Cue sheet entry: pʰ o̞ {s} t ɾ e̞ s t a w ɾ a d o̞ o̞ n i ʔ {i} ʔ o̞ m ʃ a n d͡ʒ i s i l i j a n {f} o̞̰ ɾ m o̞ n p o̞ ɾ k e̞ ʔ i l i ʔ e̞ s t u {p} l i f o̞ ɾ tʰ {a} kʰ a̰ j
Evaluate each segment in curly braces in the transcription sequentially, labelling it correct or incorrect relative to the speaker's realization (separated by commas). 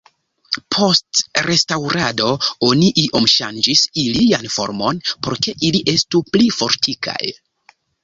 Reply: correct, correct, correct, correct, incorrect